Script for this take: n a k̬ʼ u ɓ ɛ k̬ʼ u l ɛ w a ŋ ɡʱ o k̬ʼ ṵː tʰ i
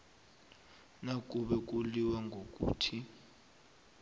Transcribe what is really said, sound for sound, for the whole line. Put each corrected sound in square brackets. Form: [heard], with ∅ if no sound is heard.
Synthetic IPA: n a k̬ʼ u ɓ ɛ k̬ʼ u l [i] w a ŋ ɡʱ o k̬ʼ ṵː tʰ i